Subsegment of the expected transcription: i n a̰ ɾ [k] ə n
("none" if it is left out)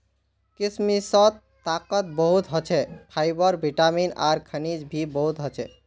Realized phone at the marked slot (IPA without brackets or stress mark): kʰ